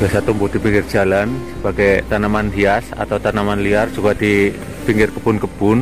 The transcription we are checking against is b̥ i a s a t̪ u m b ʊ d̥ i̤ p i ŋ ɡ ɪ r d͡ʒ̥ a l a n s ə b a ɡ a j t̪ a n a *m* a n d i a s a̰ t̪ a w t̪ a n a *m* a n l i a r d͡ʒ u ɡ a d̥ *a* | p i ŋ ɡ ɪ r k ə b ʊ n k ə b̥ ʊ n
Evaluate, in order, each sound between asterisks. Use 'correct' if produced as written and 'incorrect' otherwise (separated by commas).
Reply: correct, correct, incorrect